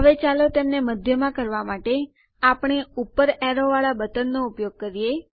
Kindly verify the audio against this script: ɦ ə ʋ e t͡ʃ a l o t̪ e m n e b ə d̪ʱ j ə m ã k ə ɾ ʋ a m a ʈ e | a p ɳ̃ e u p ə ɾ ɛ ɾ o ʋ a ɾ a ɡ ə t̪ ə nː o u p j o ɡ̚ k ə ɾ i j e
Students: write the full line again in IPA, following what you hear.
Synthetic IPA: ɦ ə ʋ e t͡ʃ a l o t̪ e m n e m ə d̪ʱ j ə m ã k ə ɾ ʋ a m a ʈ e | a p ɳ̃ e u p ə ɾ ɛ ɾ o ʋ a ɭ a b ə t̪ ə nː o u p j o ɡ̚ k ə ɾ i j e